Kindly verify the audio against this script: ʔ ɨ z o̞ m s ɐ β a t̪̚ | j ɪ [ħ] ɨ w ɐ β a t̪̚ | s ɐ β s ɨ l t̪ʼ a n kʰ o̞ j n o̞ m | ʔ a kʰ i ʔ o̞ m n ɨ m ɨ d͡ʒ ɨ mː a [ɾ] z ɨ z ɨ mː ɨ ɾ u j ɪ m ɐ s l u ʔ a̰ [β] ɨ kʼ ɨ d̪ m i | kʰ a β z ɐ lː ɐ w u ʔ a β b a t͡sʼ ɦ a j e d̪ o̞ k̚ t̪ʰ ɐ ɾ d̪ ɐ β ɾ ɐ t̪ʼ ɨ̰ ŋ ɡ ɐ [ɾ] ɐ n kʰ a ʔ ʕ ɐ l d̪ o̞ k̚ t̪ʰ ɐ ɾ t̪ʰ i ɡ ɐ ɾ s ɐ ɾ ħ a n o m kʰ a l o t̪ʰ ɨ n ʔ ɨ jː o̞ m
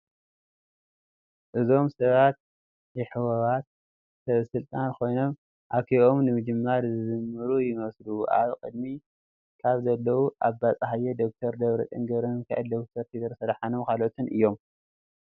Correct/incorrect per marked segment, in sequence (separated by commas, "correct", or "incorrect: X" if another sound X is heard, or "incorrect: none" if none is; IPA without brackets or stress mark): correct, correct, correct, correct